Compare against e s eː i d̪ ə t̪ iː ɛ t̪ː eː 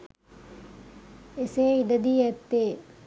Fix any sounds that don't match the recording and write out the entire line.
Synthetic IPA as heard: e s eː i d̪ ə d̪ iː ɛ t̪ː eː